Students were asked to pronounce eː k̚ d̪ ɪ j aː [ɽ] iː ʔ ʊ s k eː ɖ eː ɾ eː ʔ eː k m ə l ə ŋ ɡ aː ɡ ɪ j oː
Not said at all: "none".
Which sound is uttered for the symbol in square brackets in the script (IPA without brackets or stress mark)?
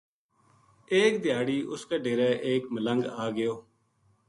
ɽ